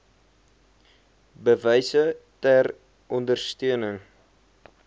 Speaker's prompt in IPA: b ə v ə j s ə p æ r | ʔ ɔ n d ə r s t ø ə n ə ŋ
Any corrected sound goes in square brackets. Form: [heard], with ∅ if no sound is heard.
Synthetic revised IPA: b ə v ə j s ə [t] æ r | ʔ ɔ n d ə r s t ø ə n ə ŋ

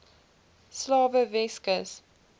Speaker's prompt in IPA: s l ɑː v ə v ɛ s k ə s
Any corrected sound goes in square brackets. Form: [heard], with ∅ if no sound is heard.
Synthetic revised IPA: s l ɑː v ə v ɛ s k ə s

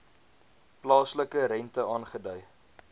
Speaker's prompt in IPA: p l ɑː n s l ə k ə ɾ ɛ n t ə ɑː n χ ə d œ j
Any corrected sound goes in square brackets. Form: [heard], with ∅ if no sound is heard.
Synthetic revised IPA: p l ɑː [∅] s l ə k ə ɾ ɛ n t ə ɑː n χ ə d œ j

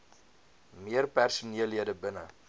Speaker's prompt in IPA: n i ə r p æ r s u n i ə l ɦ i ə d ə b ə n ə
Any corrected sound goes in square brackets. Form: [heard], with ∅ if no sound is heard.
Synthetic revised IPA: [m] i ə r p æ r s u n i ə l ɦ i ə d ə b ə n ə

